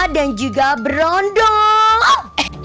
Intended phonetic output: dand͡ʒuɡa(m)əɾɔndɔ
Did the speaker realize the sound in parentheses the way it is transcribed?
no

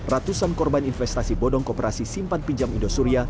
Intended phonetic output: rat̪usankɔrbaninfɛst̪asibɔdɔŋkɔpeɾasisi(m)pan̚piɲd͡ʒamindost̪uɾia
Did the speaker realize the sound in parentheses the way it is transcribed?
yes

